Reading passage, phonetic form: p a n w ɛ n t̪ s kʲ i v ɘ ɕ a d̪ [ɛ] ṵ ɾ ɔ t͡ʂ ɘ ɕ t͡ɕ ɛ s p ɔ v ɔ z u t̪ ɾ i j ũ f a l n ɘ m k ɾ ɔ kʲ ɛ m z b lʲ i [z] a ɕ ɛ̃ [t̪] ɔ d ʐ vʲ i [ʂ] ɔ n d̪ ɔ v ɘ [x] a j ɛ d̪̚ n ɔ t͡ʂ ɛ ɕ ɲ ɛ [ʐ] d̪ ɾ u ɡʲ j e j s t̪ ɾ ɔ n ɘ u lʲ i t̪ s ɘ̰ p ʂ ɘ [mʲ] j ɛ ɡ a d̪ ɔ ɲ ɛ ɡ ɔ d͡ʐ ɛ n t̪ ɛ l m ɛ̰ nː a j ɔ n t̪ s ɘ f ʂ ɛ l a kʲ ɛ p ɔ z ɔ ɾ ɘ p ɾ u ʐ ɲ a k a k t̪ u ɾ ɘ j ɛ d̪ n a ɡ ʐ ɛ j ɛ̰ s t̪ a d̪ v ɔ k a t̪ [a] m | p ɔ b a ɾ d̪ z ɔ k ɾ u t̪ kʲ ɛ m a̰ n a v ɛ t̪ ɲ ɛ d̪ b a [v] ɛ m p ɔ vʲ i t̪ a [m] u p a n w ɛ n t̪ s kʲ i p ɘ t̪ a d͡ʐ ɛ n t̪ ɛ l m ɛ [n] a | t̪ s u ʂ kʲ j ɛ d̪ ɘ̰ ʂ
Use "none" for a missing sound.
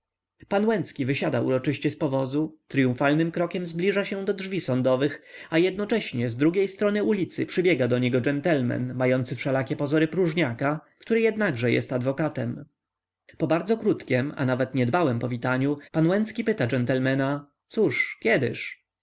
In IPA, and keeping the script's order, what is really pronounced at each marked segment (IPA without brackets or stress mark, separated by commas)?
a, ʐ, d̪, s, x, z, bʲ, ɛ, w, ɲ, n